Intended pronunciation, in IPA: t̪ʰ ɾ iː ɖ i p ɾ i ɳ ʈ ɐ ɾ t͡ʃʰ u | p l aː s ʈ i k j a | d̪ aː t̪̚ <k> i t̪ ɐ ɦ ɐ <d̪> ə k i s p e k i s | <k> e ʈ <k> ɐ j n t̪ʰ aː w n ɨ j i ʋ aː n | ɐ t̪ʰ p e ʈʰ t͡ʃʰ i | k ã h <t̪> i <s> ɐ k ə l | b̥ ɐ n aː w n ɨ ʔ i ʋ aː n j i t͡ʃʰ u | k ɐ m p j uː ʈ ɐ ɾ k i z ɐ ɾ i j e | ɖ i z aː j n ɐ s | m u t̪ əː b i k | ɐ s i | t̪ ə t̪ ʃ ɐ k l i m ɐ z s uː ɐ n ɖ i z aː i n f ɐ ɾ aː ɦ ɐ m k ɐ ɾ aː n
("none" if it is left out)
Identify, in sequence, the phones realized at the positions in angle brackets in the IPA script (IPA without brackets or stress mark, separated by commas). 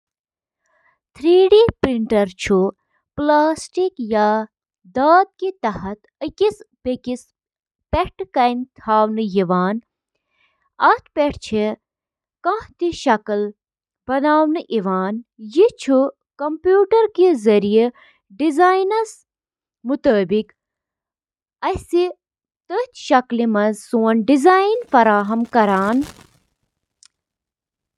k, t̪, p, k, t̪, ʃ